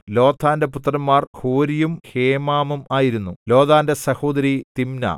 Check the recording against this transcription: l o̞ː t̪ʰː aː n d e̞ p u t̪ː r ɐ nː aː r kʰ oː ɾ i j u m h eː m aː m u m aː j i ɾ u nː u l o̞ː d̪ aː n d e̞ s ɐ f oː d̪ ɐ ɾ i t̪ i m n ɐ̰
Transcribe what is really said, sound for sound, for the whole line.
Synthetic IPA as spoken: l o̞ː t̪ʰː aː n d e̞ p u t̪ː r ɐ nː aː r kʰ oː ɾ i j u m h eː m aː m u m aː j i ɾ u nː u l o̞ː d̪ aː n d e̞ s ɐ h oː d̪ ɐ ɾ i t̪ i m n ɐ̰